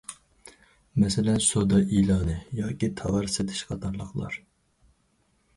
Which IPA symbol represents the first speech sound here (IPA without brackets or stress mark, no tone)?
m